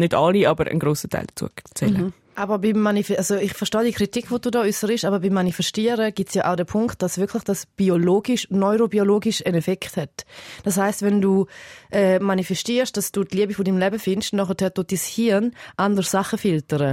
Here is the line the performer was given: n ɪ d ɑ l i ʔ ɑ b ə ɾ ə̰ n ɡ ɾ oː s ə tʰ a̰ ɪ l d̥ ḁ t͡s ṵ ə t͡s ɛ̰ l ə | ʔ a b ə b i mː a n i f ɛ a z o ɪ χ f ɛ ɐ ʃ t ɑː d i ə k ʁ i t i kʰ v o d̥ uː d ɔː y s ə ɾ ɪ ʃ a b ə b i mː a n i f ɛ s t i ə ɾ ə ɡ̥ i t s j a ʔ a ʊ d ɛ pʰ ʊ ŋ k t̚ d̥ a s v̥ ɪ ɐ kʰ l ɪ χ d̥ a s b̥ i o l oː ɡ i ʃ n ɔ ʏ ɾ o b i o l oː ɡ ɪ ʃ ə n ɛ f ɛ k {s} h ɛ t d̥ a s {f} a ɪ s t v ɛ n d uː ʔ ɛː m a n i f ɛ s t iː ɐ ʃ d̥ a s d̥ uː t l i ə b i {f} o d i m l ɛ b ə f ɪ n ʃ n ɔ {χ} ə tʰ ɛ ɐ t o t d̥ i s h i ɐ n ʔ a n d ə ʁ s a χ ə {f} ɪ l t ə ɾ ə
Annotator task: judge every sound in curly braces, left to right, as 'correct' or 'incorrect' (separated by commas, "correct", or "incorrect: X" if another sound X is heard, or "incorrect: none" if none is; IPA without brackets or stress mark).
incorrect: t, incorrect: h, correct, correct, correct